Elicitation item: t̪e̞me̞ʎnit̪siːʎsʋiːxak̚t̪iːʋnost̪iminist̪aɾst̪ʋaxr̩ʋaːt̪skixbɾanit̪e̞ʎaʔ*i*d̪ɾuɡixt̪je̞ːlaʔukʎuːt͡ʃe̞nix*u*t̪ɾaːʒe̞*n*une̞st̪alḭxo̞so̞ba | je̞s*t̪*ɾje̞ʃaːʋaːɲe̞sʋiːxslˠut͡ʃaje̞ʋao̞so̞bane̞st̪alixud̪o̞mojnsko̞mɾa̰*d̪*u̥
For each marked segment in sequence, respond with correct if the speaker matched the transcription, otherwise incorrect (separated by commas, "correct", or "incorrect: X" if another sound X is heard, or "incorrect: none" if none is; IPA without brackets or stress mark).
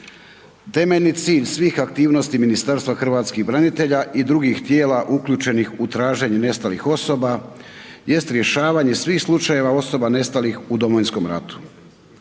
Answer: correct, correct, incorrect: ɲ, correct, incorrect: t̪